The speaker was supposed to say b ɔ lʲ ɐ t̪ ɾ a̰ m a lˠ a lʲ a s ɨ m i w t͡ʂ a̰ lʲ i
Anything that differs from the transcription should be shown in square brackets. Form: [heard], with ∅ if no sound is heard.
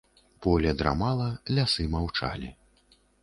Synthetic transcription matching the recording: [p] ɔ lʲ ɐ [d̪] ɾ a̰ m a lˠ [ɐ] lʲ a s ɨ m [a] w t͡ʂ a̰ lʲ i